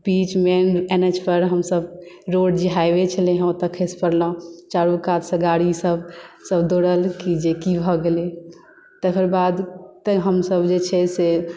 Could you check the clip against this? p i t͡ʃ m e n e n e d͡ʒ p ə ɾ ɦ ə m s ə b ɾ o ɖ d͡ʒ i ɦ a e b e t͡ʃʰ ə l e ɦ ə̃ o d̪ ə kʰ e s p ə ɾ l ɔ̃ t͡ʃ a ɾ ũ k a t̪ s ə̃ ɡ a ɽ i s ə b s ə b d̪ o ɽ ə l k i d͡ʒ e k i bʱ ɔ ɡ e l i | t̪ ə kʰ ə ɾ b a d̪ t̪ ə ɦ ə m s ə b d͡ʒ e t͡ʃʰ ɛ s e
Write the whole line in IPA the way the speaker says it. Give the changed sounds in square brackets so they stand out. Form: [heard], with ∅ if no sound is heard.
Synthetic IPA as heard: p i t͡ʃ m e n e n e d͡ʒ p ə ɾ ɦ ə m s ə b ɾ o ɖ d͡ʒ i ɦ a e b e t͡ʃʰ ə l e ɦ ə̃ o [t̪] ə kʰ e s p ə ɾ l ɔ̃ t͡ʃ a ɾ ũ k a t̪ s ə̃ ɡ a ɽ i s ə b s ə b d̪ o ɽ ə l k i d͡ʒ e k i bʱ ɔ ɡ e l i | t̪ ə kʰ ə ɾ b a d̪ t̪ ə ɦ ə m s ə b d͡ʒ e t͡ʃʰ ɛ s e